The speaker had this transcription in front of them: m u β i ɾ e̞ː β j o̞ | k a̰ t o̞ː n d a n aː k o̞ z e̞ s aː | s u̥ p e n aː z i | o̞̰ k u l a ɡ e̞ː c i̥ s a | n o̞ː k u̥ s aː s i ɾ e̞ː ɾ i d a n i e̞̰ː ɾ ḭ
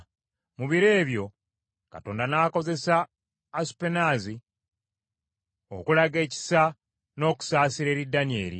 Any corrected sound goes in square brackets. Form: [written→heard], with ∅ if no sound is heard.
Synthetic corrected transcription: m u β i ɾ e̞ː β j o̞ | k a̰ t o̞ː n d a n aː k o̞ z e̞ s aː | s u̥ p e n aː z i | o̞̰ k u l a ɡ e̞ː c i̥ s a | n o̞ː k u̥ s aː s i ɾ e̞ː ɾ i d a n i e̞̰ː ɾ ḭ